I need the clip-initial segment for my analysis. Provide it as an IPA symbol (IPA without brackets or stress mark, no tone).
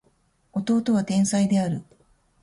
o̞